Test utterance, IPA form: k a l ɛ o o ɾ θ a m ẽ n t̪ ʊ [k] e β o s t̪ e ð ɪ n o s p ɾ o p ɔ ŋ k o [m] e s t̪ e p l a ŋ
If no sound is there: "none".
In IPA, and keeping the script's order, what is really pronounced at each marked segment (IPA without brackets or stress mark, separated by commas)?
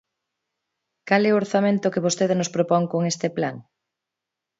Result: k, ŋ